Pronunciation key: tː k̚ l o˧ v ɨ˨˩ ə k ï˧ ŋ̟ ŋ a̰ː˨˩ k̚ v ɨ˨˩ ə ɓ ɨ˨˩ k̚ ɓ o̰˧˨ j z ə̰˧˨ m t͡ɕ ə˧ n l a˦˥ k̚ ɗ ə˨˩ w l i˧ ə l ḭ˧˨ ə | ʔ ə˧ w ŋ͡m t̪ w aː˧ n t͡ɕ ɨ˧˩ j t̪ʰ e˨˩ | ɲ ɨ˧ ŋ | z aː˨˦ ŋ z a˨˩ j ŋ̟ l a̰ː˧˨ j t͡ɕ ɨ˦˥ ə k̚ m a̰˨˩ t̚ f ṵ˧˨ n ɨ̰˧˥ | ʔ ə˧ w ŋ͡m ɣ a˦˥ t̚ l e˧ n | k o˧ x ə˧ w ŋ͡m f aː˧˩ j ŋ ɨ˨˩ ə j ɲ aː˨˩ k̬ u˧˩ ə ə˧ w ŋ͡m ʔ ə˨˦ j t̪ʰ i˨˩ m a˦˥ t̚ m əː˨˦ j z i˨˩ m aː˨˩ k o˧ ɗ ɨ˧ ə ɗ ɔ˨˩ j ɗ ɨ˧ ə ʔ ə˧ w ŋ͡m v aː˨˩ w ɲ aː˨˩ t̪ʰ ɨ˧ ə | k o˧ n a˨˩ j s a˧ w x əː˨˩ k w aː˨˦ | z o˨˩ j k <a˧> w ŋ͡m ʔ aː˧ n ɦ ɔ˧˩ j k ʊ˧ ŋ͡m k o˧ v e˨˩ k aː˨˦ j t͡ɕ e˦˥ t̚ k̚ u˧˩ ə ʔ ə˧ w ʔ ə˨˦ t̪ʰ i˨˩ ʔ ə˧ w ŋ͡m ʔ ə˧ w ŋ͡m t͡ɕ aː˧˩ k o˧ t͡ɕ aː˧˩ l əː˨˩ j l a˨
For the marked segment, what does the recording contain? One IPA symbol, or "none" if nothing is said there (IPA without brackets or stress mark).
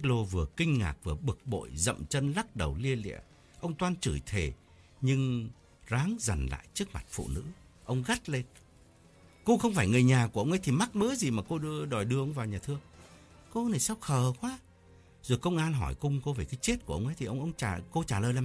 ə˧